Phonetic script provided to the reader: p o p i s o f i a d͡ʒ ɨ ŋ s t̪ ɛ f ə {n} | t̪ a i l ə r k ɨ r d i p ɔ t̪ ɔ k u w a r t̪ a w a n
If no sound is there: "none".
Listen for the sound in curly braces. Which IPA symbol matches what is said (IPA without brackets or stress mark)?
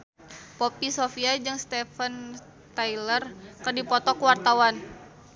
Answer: n